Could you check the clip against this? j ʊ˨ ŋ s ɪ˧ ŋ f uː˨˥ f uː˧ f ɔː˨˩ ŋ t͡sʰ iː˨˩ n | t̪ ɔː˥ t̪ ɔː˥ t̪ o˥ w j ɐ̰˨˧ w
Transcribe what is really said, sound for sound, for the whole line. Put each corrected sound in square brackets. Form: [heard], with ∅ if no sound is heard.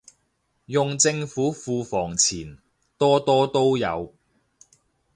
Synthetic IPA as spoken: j ʊ˨ ŋ [t͡s] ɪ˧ ŋ f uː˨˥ f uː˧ f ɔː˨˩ ŋ t͡sʰ iː˨˩ n | t̪ ɔː˥ t̪ ɔː˥ t̪ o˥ w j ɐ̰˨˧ w